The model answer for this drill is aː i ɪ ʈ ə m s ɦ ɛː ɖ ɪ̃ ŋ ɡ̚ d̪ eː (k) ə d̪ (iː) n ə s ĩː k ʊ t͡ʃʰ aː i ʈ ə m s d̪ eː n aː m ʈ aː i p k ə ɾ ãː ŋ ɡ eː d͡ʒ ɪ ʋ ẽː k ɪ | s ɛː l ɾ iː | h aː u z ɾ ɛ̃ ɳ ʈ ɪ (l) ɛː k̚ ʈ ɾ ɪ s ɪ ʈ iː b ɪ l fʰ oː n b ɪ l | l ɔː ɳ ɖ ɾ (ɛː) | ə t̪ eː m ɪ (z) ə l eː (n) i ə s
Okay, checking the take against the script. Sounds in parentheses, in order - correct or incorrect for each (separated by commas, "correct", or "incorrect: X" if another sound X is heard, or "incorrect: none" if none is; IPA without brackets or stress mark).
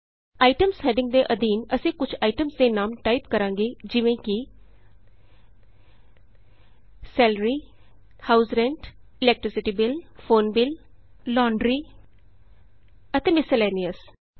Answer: incorrect: ʔ, correct, correct, incorrect: iː, incorrect: s, correct